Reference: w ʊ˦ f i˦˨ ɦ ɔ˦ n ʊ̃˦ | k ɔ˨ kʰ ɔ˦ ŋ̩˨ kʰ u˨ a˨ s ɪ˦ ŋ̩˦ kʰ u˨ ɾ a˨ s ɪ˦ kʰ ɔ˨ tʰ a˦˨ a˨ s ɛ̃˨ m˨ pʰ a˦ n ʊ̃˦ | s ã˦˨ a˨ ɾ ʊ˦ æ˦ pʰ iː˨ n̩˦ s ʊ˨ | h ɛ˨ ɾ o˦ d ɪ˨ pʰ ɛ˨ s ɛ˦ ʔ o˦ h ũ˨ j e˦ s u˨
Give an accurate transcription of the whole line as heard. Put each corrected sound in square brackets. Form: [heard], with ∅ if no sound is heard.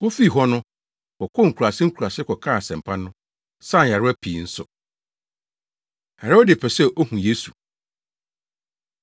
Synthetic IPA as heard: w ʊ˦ f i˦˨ ɦ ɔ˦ n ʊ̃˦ | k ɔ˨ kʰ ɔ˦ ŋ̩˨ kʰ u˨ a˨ s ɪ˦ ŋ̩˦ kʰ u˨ ɾ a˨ s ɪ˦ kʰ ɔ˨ [kʰ] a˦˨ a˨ s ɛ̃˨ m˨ pʰ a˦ n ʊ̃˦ | s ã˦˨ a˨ ɾ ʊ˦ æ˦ pʰ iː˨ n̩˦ s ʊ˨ | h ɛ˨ ɾ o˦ d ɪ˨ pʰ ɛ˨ s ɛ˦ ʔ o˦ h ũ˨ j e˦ s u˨